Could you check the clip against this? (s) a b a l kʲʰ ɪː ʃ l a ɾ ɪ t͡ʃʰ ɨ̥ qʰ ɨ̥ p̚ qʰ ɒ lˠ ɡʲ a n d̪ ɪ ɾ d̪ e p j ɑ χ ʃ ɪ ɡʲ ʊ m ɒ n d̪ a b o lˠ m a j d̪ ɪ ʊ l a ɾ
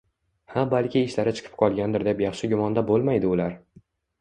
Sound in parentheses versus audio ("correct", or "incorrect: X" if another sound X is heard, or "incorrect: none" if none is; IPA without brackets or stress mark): incorrect: h